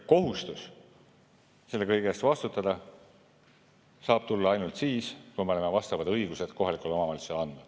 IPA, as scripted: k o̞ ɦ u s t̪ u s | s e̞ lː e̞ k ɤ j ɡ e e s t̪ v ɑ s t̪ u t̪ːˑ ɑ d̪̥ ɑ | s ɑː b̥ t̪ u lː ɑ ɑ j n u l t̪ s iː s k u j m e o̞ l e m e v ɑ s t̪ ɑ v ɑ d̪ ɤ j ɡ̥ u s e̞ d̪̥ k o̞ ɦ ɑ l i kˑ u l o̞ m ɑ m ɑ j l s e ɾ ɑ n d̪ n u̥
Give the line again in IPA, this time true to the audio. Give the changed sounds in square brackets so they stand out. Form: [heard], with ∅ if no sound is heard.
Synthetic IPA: k o̞ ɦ u s t̪ u s | s e̞ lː e̞ k ɤ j ɡ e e s t̪ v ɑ s t̪ u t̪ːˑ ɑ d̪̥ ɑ | s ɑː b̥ t̪ u lː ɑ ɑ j n u l t̪ s iː s k u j m e o̞ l e m e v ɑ s t̪ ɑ v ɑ d̪ ɤ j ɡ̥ u s e̞ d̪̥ k o̞ ɦ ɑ l i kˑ u l o̞ m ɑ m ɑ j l s e [l] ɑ n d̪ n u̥